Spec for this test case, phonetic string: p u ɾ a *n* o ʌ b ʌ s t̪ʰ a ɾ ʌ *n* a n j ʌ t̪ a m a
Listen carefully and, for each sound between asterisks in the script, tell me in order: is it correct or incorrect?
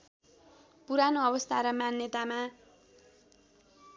correct, incorrect

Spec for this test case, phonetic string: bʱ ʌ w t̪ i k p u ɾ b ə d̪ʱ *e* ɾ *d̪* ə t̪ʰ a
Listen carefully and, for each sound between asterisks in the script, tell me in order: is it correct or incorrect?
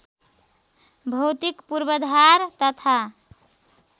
incorrect, incorrect

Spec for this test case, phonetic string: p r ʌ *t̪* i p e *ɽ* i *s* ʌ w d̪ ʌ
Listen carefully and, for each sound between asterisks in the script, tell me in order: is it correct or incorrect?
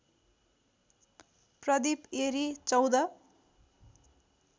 incorrect, incorrect, incorrect

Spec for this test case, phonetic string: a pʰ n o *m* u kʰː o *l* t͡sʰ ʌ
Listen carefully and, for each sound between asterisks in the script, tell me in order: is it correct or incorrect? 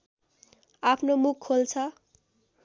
correct, correct

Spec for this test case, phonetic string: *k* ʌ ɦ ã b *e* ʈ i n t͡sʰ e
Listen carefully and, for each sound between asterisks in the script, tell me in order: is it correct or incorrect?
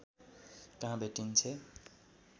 correct, correct

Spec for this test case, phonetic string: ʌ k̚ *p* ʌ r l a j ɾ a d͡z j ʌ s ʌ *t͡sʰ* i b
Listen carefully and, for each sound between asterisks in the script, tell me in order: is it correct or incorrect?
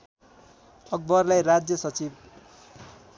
incorrect, incorrect

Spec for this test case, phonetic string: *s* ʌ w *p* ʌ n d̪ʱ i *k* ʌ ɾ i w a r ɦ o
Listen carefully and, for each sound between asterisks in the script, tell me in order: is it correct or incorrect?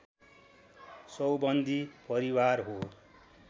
correct, incorrect, incorrect

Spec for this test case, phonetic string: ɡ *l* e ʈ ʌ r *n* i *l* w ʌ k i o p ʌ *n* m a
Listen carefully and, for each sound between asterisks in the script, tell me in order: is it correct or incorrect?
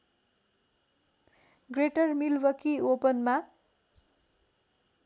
incorrect, incorrect, correct, correct

